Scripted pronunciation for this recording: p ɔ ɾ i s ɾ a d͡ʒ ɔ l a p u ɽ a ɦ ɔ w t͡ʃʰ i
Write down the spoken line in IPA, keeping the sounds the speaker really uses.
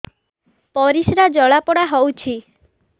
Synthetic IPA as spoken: p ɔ ɾ i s ɾ a d͡ʒ ɔ ɭ a p ɔ ɽ a ɦ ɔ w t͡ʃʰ i